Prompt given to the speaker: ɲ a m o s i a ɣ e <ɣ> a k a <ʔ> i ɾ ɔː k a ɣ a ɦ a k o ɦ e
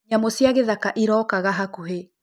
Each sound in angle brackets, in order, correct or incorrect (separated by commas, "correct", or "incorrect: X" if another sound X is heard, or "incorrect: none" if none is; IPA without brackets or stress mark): incorrect: ð, correct